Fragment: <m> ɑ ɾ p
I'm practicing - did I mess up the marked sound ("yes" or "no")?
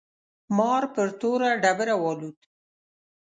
no